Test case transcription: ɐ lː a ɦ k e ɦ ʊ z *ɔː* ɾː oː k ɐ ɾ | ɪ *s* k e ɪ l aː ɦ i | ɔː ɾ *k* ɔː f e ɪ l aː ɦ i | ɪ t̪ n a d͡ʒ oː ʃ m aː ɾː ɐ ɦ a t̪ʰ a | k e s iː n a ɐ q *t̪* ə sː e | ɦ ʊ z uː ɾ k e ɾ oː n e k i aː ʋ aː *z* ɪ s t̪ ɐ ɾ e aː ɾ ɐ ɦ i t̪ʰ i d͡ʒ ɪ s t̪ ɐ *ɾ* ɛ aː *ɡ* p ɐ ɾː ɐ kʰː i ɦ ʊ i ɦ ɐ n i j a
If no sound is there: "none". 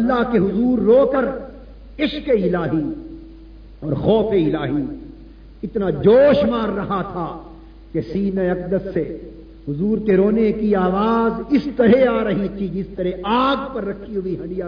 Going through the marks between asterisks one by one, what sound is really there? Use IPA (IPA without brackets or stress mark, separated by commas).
uː, ʃ, x, d̪, z, ɾ, ɡ